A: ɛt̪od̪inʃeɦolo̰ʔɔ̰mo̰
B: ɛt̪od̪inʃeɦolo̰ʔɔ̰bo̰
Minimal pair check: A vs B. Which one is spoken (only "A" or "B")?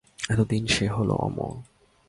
A